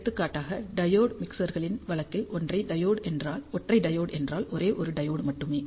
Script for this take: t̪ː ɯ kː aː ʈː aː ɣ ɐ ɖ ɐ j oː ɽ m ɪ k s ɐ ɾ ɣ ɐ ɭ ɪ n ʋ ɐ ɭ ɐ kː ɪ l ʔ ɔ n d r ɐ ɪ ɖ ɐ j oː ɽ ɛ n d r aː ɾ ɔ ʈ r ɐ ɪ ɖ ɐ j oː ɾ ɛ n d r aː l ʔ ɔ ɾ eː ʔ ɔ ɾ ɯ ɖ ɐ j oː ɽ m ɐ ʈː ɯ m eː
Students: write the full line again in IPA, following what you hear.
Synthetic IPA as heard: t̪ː ɯ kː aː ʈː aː ɣ ɐ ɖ ɐ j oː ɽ m ɪ k s ɐ ɾ ɣ ɐ ɭ ɪ n ʋ ɐ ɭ ɐ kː ɪ l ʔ ɔ n d r ɐ ɪ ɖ ɐ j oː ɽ ɛ n d r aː l ɔ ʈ r ɐ ɪ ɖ ɐ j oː ɽ ɛ n d r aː l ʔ ɔ ɾ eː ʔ ɔ ɾ ɯ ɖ ɐ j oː ɽ m ɐ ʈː ɯ m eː